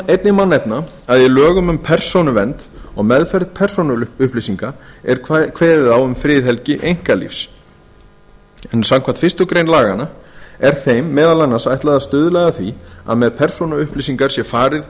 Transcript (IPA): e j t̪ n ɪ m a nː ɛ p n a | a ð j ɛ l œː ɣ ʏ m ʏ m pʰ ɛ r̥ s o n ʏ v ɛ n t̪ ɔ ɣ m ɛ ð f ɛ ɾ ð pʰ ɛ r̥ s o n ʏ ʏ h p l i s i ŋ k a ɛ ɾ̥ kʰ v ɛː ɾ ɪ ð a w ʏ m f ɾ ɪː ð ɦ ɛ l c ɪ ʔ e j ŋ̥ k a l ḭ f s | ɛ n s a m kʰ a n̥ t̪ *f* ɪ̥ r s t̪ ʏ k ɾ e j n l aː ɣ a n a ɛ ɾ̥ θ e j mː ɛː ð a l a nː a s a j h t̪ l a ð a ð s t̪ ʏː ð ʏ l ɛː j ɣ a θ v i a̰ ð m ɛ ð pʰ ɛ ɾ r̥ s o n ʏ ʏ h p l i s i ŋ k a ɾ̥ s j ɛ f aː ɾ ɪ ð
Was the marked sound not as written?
no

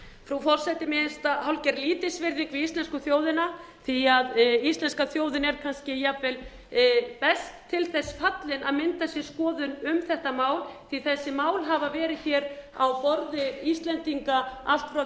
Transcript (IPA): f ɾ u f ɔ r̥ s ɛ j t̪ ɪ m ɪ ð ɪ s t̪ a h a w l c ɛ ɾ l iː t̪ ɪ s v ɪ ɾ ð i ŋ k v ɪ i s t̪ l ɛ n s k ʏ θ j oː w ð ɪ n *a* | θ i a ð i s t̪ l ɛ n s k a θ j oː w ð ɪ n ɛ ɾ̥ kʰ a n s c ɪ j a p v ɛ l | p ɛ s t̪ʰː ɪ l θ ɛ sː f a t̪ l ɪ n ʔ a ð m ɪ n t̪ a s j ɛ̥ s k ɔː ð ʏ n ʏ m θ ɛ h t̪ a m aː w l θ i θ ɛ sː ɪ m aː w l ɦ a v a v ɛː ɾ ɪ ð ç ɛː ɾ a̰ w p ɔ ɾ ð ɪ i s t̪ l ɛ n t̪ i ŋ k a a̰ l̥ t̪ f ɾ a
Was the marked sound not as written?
no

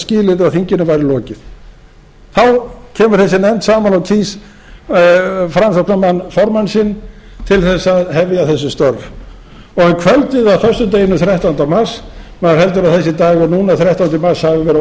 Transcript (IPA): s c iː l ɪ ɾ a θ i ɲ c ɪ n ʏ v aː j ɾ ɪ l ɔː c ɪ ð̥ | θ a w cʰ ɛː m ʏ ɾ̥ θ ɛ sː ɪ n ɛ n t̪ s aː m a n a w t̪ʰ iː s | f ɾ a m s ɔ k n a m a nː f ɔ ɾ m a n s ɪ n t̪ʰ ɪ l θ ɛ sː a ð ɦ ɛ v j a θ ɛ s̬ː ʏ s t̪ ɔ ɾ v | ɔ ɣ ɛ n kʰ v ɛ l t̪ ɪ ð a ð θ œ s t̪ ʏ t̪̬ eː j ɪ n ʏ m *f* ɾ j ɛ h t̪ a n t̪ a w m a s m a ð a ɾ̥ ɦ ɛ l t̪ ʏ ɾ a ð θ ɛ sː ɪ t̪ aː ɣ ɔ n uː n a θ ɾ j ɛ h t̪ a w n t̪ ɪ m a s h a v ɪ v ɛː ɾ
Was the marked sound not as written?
yes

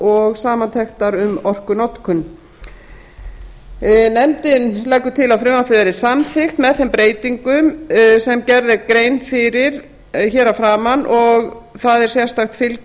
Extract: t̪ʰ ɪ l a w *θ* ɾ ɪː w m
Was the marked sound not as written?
yes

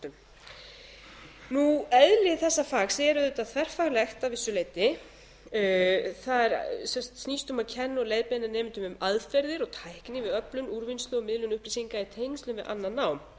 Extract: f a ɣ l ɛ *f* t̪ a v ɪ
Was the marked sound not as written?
yes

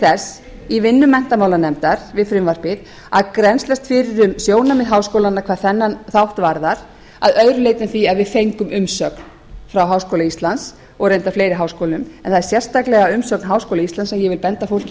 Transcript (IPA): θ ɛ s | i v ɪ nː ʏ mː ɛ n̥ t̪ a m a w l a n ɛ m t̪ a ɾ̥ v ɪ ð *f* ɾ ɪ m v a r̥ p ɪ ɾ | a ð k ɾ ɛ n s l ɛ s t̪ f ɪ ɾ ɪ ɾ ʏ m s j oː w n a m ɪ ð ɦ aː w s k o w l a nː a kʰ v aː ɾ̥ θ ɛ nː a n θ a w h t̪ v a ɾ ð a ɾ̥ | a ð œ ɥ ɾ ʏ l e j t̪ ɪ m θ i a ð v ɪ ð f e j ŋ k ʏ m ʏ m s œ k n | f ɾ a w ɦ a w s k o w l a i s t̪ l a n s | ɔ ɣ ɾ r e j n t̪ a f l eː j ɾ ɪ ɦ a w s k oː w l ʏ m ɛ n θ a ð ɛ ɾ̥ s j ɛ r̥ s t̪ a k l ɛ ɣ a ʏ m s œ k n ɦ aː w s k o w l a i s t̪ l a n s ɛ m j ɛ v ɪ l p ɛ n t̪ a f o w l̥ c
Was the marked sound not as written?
no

